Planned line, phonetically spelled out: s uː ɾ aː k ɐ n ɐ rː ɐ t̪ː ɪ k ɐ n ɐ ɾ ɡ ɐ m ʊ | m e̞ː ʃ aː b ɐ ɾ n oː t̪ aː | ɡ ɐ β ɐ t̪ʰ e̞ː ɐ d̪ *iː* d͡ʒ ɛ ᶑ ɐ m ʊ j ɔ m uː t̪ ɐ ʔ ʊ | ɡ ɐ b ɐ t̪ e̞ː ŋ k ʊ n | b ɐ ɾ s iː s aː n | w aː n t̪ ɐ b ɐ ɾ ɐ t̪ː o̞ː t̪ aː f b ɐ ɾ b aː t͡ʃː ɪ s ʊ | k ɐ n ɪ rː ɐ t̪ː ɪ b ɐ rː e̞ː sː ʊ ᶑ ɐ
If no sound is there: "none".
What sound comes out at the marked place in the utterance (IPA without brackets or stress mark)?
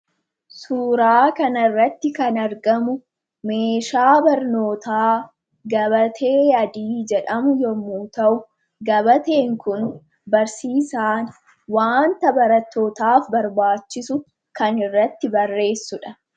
iː